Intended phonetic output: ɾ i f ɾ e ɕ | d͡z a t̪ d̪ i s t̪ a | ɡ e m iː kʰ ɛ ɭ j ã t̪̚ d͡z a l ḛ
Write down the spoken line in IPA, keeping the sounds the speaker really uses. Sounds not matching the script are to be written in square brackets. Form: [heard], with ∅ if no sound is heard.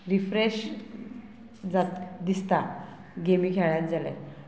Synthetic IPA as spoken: ɾ i f ɾ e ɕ | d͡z a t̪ d̪ i s t̪ a | ɡ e m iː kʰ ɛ ɭ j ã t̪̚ d͡z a l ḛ